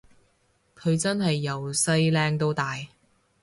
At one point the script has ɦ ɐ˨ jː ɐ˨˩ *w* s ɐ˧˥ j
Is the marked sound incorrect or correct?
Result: correct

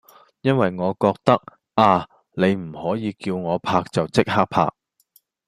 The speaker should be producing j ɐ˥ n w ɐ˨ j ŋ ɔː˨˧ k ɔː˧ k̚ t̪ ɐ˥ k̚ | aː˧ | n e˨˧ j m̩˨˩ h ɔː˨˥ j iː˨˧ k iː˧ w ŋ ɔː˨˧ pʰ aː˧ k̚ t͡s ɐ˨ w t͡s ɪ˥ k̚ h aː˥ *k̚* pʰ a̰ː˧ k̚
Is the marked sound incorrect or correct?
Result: correct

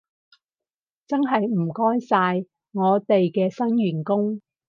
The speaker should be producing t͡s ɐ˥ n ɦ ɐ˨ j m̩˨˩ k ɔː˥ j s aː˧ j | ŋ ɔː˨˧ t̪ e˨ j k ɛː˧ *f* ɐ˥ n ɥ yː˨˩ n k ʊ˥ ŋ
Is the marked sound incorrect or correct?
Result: incorrect: s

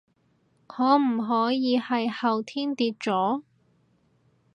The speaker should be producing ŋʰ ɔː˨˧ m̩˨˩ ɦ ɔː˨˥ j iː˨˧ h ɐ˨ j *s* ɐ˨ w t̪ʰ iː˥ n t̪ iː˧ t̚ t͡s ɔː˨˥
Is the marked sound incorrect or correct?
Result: incorrect: h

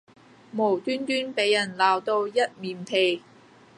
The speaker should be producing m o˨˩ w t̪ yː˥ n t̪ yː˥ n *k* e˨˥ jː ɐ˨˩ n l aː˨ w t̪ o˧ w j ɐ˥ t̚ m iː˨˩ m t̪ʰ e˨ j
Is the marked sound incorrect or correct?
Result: incorrect: p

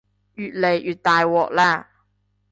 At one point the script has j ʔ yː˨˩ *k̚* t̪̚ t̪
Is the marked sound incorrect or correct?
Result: incorrect: none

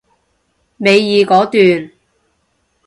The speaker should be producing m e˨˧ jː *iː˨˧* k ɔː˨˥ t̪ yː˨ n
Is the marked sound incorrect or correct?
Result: correct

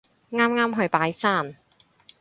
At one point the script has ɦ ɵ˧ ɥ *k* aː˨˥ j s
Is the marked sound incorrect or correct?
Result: incorrect: p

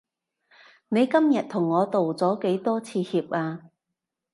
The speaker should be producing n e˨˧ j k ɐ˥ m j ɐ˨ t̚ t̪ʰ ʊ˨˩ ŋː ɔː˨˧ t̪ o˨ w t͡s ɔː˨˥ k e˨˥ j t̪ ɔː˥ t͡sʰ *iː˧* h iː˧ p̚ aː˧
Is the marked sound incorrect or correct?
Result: correct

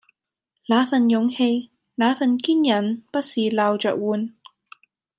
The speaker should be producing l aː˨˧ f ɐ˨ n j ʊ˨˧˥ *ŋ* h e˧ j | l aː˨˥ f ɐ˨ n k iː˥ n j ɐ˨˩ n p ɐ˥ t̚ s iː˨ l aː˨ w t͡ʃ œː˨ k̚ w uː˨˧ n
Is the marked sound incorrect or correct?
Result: correct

